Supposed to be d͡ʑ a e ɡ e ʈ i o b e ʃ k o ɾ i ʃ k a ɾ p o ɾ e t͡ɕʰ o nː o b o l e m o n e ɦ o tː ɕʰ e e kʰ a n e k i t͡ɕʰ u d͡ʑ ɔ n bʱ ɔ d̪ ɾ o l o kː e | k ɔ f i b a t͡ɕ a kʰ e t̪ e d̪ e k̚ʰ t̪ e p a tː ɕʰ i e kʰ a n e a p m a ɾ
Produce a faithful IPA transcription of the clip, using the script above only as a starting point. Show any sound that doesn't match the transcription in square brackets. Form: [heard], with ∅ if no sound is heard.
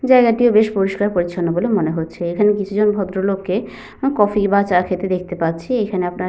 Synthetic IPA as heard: d͡ʑ a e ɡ [a] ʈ i o b e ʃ [p] o ɾ i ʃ k a ɾ p o ɾ [i] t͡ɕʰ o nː o b o l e m o n e ɦ o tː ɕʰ e e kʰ a n e k i t͡ɕʰ u d͡ʑ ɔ n bʱ ɔ d̪ ɾ o l o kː e | k ɔ f i b a t͡ɕ a kʰ e t̪ e d̪ e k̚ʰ t̪ e p a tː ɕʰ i e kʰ a n e a p [n] a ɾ